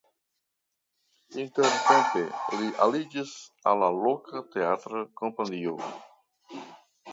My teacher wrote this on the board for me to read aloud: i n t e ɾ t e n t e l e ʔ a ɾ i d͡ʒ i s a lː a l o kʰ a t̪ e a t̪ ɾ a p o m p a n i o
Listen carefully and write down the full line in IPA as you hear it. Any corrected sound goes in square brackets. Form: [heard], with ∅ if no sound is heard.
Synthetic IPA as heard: i n t e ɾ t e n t e l [i] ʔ a [l] i d͡ʒ i s a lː a l o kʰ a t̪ e a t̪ ɾ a [k] o m p a n i o

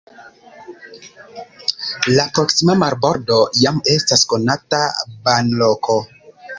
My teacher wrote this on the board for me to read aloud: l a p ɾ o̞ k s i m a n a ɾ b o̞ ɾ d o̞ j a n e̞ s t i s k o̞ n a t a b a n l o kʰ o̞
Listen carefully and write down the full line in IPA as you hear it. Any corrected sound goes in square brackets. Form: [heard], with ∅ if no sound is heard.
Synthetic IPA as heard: l a p ɾ o̞ k s i m a [m] a ɾ b o̞ ɾ d o̞ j a [m] e̞ s t [a] s k o̞ n a t a b a n l o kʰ o̞

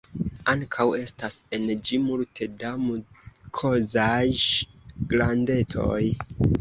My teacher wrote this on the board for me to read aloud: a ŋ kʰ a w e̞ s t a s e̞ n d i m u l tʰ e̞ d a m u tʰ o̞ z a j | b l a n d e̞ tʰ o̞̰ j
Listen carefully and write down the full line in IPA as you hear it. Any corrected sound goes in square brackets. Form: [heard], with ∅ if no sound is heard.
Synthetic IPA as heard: a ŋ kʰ a w e̞ s t a s e̞ n [d͡ʒ] i m u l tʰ e̞ d a m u [kʰ] o̞ z a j | [ɡ] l a n d e̞ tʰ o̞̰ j

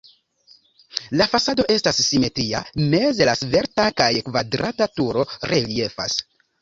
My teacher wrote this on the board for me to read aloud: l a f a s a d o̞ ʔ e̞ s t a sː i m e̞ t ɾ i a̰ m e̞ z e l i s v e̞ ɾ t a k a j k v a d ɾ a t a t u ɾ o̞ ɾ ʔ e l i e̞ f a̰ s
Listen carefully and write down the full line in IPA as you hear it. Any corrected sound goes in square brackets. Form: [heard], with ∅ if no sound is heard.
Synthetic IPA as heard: l a f a s a d o̞ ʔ e̞ s t a sː i m e̞ t ɾ i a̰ m e̞ z e l [a] s v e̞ ɾ t a k a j k v a d ɾ a t a t u ɾ o̞ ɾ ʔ e l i e̞ f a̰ s

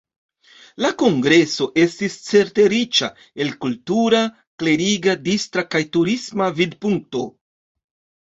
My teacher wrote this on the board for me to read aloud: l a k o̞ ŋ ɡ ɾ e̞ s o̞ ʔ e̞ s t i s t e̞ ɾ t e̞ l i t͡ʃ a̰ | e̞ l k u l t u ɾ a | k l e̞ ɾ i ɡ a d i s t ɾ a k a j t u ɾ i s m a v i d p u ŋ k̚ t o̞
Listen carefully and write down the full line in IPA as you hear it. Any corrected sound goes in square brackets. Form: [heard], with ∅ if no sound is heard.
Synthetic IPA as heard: l a k o̞ ŋ ɡ ɾ e̞ s o̞ ʔ e̞ s t i s [t͡s] e̞ ɾ t e̞ [ɾ] i t͡ʃ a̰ | e̞ l k u l t u ɾ a | k l e̞ ɾ i ɡ a d i s t ɾ a k a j t u ɾ i s m a v i d p u ŋ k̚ t o̞

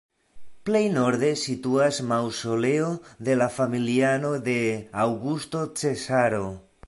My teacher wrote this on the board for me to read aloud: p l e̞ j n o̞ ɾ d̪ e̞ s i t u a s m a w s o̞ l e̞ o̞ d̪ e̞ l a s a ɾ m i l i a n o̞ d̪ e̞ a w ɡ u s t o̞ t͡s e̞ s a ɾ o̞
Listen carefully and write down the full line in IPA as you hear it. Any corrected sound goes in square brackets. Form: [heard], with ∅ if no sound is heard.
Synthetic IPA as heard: p l e̞ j n o̞ ɾ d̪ e̞ s i t u a s m a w s o̞ l e̞ o̞ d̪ e̞ l a [f] a [∅] m i l i a n o̞ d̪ e̞ a w ɡ u s t o̞ t͡s e̞ s a ɾ o̞

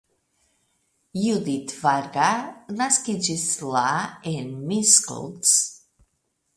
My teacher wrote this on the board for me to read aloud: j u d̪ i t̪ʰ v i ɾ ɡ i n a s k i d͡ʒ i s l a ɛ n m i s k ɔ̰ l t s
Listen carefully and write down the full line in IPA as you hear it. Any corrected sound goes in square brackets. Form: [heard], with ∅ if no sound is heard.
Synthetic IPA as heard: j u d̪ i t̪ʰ v [a] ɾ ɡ [a] n a s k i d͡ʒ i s l a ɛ n m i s k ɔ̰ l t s

